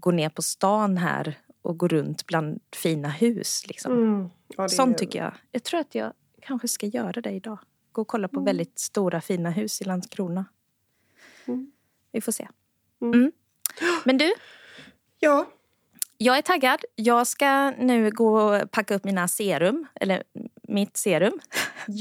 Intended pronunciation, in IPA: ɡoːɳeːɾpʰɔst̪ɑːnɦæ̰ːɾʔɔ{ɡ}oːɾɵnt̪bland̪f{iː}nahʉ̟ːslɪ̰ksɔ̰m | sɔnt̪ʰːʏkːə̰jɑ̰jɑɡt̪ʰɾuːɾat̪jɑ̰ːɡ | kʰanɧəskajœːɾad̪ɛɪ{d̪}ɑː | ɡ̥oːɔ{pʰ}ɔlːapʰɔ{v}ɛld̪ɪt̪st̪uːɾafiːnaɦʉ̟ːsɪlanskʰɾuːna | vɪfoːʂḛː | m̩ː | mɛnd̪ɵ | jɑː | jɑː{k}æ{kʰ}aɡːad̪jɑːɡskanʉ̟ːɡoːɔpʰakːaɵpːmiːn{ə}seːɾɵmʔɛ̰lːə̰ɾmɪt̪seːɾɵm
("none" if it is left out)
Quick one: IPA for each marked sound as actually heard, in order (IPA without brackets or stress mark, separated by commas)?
ɡ, iː, d̪, kʰ, v, ɡ, ʈʰ, a